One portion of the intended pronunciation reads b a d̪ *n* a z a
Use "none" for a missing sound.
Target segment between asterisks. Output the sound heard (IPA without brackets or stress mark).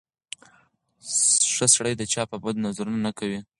n